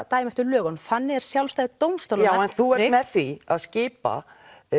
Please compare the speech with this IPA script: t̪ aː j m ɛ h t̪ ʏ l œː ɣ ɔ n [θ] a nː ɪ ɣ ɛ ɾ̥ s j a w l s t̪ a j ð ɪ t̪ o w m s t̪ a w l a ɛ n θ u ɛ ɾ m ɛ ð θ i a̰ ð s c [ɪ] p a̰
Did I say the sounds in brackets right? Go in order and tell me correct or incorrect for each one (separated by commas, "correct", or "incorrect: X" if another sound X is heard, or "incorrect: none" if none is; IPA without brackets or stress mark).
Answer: correct, incorrect: ɪː